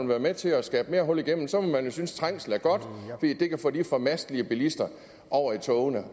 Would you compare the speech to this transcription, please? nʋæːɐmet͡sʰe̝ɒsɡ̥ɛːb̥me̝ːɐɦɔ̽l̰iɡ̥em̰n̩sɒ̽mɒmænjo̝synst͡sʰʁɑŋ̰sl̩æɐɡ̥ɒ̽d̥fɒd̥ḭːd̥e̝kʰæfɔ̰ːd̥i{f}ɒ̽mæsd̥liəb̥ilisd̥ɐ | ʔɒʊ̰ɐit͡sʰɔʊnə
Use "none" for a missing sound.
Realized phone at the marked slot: f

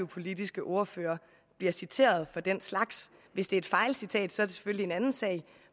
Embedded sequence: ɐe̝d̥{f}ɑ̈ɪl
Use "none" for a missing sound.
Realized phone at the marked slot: f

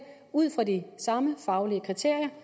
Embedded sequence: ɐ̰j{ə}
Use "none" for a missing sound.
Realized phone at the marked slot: ɐ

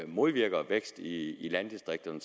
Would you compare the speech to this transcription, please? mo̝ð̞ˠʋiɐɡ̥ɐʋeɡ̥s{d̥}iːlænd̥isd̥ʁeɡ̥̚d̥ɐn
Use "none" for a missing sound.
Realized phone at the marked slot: d̥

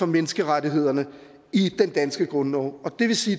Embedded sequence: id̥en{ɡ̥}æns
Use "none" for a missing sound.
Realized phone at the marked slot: d̥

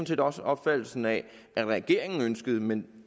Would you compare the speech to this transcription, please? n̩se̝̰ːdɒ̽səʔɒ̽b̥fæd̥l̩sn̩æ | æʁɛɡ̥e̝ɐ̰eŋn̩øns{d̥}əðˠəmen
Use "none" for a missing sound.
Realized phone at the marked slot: ɡ̥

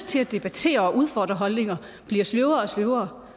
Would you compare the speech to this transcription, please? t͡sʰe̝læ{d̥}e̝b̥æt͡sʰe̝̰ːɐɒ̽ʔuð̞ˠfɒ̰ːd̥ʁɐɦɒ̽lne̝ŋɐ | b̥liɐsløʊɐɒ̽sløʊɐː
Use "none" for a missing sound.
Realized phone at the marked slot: d̥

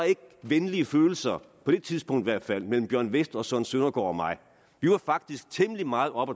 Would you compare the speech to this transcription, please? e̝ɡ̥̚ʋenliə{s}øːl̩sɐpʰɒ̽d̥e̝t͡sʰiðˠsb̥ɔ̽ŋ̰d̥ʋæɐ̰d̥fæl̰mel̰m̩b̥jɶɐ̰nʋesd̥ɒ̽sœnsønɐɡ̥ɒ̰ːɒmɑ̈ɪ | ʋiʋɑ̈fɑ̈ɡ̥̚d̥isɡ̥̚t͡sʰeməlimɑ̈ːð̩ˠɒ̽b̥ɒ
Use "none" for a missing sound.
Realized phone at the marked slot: f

